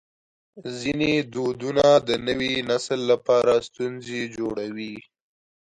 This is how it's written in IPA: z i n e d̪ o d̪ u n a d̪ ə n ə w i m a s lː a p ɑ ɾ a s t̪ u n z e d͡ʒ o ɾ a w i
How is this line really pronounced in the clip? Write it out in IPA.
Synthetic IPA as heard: z i n e d̪ o d̪ u n a d̪ ə n ə w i n a s lː a p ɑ ɾ a s t̪ u n z e d͡ʒ o ɽ a w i